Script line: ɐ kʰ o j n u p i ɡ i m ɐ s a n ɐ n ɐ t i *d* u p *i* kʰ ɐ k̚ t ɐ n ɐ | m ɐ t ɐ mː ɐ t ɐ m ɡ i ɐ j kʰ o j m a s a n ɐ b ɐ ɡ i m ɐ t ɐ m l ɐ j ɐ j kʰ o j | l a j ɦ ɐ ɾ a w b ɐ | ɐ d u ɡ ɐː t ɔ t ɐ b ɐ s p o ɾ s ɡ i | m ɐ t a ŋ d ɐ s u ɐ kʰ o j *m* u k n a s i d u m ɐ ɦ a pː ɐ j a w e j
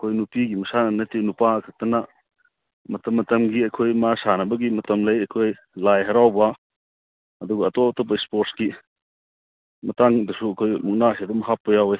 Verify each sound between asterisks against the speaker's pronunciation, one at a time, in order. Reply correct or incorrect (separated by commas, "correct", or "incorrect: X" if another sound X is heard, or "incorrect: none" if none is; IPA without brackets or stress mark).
incorrect: n, incorrect: a, correct